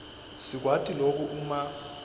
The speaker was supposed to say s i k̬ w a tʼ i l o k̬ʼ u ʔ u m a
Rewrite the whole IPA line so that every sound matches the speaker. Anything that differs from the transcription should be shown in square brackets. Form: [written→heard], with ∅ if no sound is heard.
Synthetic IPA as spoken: s i k̬ w a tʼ i l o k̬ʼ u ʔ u m a